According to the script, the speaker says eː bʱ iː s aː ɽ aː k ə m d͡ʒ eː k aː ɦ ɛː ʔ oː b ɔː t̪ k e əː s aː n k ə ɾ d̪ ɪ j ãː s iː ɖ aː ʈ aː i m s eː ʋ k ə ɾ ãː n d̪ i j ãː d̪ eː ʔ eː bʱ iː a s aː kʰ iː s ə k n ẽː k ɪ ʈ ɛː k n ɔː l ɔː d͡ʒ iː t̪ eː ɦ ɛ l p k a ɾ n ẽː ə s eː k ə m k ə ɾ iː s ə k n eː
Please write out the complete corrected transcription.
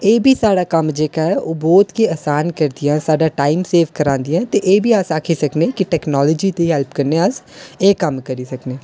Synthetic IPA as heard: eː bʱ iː s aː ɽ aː k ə m d͡ʒ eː k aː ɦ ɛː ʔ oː b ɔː t̪ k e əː s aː n k ə ɾ d̪ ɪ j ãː s aː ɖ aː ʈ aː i m s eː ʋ k ə ɾ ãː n d̪ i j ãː t̪ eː ʔ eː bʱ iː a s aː kʰ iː s ə k n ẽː k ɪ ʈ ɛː k n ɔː l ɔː d͡ʒ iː t̪ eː ɦ ɛ l p k ə ɾ n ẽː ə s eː k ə m k ə ɾ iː s ə k n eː

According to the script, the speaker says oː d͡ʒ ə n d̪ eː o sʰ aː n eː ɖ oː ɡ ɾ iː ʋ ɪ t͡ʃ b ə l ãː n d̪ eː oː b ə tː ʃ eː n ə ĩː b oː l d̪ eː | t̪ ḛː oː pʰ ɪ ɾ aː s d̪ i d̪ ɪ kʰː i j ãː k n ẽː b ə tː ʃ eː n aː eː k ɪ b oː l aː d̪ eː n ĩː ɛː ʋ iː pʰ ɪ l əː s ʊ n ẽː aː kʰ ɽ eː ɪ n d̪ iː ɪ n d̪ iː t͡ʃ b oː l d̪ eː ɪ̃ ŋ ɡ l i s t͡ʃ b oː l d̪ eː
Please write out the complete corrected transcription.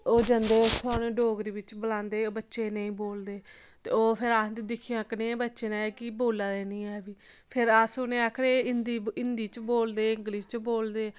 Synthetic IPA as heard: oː d͡ʒ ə n d̪ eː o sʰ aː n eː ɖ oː ɡ ɾ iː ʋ ɪ t͡ʃ b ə l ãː n d̪ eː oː b ə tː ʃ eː n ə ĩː b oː l d̪ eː | t̪ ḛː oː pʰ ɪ ɾ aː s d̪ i d̪ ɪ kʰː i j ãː k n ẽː b ə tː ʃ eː n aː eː k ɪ b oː l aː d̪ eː n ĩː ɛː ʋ iː pʰ ɪ ɾ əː s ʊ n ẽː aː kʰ ɽ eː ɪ n d̪ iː ɪ n d̪ iː t͡ʃ b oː l d̪ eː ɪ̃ ŋ ɡ l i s t͡ʃ b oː l d̪ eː

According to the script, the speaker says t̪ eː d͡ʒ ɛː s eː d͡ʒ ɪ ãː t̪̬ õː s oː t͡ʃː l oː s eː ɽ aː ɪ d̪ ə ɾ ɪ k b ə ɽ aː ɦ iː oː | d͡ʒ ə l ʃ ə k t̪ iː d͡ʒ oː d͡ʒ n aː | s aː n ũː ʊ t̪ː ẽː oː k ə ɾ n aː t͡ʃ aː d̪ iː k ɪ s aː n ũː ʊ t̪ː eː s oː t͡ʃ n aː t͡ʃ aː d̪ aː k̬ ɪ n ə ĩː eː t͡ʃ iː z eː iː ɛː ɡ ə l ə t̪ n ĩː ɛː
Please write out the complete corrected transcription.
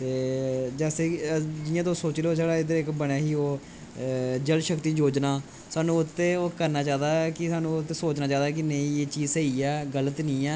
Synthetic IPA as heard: t̪ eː d͡ʒ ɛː s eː d͡ʒ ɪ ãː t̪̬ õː s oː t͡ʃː l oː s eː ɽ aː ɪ d̪ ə ɾ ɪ k b ə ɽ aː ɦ iː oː | d͡ʒ ə l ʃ ə k t̪ iː d͡ʒ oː d͡ʒ n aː | s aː n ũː ʊ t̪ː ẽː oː k ə ɾ n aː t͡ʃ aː d̪ aː k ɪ s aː n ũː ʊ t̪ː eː s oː t͡ʃ n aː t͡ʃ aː d̪ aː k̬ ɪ n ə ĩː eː t͡ʃ iː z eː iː ɛː ɡ ə l ə t̪ n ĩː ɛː

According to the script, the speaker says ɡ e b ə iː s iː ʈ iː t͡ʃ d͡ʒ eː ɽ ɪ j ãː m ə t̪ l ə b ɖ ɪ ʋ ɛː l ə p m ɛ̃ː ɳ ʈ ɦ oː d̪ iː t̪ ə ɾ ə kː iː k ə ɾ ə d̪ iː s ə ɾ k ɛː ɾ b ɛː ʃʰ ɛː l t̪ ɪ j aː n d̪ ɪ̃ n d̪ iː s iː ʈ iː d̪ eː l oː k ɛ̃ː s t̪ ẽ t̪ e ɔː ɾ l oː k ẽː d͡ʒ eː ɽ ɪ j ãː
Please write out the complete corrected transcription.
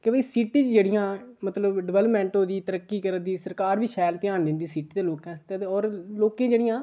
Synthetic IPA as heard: k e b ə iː s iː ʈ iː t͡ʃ d͡ʒ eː ɽ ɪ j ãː m ə t̪ l ə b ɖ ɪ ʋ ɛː l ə p m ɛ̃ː ɳ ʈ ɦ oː d̪ iː t̪ ə ɾ ə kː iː k ə ɾ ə d̪ iː s ə ɾ k aː ɾ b iː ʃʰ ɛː l t̪ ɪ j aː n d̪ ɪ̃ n d̪ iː s iː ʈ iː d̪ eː l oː k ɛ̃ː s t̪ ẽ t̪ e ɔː ɾ l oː k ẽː d͡ʒ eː ɽ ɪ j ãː

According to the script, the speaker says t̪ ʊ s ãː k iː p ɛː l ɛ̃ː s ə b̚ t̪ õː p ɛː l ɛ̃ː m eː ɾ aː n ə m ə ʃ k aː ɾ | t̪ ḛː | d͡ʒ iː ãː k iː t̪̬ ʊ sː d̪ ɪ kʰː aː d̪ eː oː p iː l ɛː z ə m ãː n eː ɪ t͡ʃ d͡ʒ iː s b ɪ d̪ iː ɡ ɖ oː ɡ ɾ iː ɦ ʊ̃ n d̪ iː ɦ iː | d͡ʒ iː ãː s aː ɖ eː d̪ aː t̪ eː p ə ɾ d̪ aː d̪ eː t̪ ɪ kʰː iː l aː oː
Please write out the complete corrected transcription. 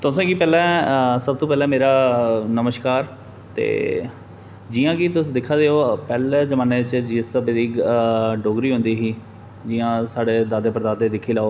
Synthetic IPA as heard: t̪ ʊ s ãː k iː p ɛː l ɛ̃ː s ə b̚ t̪ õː p ɛː l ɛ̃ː m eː ɾ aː n ə m ə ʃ k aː ɾ | t̪ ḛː | d͡ʒ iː ãː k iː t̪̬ ʊ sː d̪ ɪ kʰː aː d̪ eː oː p ɛː l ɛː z ə m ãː n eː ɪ t͡ʃ d͡ʒ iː s b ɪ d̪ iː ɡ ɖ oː ɡ ɾ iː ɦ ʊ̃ n d̪ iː ɦ iː | d͡ʒ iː ãː s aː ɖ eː d̪ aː d̪ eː p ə ɾ d̪ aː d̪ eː d̪ ɪ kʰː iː l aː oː

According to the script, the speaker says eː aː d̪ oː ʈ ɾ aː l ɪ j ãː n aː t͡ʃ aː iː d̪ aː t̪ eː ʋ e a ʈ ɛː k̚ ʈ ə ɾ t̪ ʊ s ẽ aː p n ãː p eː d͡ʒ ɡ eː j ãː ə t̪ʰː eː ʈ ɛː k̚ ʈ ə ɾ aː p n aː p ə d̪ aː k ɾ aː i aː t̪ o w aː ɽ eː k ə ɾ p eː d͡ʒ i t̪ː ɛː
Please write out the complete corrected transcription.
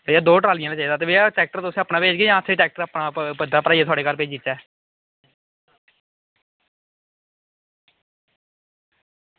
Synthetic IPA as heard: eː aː d̪ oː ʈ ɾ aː l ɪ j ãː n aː t͡ʃ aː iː d̪ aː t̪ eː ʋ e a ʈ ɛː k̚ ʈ ə ɾ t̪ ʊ s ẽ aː p n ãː p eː d͡ʒ ɡ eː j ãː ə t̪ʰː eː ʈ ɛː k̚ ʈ ə ɾ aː p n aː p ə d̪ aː p ɾ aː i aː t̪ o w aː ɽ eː k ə ɾ p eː d͡ʒ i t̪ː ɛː

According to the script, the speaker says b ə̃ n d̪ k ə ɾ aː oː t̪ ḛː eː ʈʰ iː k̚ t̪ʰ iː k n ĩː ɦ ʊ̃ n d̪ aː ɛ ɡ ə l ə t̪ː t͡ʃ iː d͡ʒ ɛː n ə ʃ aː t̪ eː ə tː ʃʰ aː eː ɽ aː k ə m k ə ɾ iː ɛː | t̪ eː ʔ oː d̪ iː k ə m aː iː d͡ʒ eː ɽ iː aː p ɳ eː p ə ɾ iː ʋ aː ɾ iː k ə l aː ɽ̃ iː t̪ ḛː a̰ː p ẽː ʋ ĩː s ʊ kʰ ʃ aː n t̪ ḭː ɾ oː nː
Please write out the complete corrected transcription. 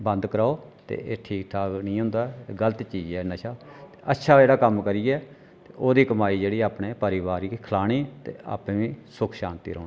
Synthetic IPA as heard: b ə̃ n d̪ k ə ɾ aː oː t̪ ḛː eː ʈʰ iː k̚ t̪ʰ aː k n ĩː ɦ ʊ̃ n d̪ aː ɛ ɡ ə l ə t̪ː t͡ʃ iː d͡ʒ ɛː n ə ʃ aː t̪ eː ə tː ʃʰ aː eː ɽ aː k ə m k ə ɾ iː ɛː | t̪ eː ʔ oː d̪ iː k ə m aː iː d͡ʒ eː ɽ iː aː p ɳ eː p ə ɾ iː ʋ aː ɾ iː kʰ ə l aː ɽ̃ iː t̪ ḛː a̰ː p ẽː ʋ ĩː s ʊ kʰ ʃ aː n t̪ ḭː ɾ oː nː

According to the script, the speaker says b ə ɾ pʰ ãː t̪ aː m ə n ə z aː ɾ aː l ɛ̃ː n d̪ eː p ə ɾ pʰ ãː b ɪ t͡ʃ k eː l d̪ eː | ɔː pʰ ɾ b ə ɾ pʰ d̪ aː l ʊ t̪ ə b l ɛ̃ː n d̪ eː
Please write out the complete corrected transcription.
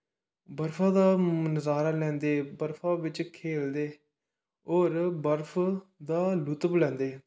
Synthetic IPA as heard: b ə ɾ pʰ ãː d̪ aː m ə n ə z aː ɾ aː l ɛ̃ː n d̪ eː b ə ɾ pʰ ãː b ɪ t͡ʃ kʰ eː l d̪ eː | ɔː ɾ b ə ɾ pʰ d̪ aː l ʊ t̪ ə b l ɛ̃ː n d̪ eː

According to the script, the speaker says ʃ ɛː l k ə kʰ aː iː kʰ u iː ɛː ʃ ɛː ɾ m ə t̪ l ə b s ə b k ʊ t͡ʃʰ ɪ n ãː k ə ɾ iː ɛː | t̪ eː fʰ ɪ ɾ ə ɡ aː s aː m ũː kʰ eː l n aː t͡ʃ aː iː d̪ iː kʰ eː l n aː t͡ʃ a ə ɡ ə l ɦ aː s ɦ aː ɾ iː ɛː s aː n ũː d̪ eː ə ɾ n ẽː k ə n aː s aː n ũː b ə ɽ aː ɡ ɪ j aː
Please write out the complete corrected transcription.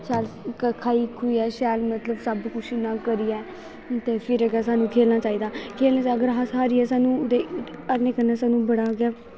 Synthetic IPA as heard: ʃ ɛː l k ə kʰ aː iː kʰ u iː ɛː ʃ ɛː l m ə t̪ l ə b s ə b k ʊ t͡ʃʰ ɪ n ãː k ə ɾ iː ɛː | t̪ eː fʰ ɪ ɾ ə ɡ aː s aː n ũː kʰ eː l n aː t͡ʃ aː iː d̪ aː kʰ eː l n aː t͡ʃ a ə ɡ ə ɾ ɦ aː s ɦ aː ɾ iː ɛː s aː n ũː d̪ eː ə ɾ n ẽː k ə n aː s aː n ũː b ə ɽ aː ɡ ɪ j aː

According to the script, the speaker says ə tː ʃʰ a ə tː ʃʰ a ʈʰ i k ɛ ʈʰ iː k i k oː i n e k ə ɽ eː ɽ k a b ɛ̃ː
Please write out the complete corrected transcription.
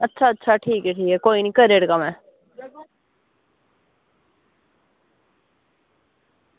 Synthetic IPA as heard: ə tː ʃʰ a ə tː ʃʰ a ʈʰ iː k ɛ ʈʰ iː k ɛ k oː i n i k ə ɾ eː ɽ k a m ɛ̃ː

